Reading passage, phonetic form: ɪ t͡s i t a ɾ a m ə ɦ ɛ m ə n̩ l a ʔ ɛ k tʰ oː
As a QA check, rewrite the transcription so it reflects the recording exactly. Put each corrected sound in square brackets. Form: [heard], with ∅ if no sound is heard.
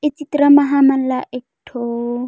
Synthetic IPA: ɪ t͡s i t [i] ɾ a m [a] ɦ [a] m [a] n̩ l a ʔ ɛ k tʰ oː